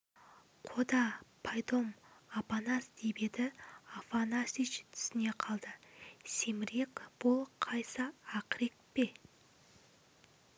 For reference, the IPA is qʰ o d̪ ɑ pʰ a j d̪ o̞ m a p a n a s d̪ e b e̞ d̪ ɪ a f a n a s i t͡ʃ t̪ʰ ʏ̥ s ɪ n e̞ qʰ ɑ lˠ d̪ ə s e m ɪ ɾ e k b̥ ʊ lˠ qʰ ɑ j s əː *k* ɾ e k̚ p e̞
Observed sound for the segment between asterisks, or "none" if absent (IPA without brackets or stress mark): q